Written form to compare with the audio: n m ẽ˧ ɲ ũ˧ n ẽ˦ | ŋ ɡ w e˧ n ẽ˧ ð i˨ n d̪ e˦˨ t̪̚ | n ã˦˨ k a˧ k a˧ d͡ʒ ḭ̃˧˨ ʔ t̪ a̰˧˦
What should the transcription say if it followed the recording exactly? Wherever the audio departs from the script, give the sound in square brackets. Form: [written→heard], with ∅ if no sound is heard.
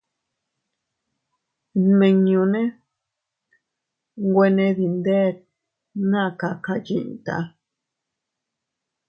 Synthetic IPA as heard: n m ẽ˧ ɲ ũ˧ n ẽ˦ | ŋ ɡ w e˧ n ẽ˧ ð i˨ n d̪ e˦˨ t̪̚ | n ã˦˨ k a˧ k a˧ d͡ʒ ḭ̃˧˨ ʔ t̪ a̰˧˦